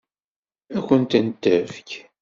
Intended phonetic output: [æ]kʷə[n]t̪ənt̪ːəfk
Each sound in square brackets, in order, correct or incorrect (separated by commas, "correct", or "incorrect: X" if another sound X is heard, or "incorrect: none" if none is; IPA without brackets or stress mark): correct, correct